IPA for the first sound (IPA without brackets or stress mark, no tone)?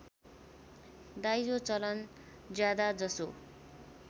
d̪